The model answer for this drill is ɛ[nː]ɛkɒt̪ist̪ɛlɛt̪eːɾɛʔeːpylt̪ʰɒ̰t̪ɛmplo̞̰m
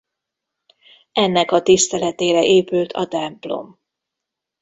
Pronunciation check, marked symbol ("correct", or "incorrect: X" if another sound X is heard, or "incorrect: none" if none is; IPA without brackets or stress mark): correct